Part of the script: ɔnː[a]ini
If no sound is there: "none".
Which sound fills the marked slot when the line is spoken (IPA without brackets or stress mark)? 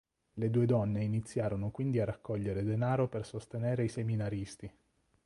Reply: e